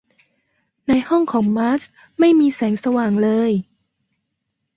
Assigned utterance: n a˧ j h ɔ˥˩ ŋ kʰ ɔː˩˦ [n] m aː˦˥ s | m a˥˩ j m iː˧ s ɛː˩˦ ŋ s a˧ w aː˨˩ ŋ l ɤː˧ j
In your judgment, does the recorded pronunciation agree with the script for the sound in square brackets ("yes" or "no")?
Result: no